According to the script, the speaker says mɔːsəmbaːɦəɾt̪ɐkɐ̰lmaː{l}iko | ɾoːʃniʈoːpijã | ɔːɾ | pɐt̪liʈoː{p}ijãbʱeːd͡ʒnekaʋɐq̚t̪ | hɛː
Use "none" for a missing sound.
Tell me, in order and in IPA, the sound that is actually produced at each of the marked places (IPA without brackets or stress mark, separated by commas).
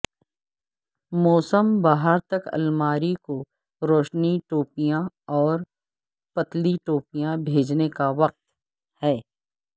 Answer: ɾ, p